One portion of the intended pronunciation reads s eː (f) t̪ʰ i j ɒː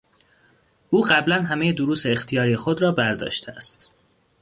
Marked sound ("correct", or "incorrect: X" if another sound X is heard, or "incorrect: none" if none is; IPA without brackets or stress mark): incorrect: x